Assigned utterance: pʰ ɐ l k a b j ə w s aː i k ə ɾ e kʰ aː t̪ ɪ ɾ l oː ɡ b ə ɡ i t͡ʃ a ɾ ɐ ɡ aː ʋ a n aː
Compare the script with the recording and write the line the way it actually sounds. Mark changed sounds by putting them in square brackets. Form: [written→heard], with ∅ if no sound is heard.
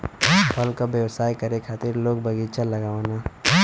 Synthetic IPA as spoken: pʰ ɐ l k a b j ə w s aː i k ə ɾ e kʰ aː t̪ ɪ ɾ l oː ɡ b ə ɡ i t͡ʃ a [ɾ→l] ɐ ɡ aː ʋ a n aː